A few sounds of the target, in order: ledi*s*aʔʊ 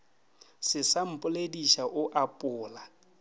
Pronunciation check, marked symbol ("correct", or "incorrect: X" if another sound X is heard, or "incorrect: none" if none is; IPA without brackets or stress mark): incorrect: ʃ